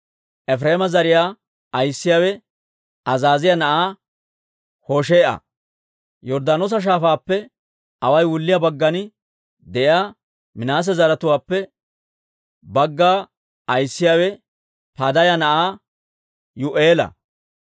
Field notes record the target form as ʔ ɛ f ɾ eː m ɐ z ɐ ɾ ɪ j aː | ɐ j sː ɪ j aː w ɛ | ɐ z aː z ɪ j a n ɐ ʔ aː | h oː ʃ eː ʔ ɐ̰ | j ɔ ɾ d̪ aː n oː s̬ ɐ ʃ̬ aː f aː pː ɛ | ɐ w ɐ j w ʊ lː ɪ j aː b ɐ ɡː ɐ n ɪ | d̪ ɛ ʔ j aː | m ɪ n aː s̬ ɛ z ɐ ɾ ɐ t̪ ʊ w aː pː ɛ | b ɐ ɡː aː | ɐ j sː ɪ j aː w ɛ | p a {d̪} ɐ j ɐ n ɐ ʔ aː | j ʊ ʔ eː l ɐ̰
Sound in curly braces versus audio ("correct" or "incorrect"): correct